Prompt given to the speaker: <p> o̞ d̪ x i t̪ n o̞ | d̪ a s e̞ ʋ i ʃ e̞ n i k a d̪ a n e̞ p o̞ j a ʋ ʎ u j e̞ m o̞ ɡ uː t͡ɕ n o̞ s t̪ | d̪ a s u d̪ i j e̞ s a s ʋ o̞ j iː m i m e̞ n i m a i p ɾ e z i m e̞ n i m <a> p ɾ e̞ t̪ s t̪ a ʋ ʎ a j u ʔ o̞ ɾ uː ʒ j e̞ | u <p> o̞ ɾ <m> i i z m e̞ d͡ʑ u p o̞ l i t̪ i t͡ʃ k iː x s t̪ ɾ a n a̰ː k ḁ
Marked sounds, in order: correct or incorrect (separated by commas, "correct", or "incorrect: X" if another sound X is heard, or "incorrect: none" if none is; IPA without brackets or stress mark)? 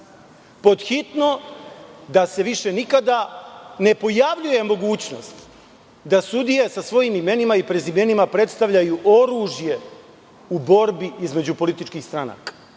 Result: correct, correct, incorrect: b, incorrect: b